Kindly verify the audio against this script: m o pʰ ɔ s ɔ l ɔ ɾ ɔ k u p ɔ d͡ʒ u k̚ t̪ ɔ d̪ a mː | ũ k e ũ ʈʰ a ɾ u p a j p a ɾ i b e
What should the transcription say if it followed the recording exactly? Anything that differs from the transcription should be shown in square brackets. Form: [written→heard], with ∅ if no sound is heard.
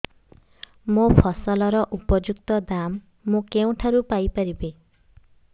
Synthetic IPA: m o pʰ ɔ s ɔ l ɔ ɾ ɔ [k→ʔ] u p ɔ d͡ʒ u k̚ t̪ ɔ d̪ a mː | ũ k e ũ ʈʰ a ɾ u p a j p a ɾ i b e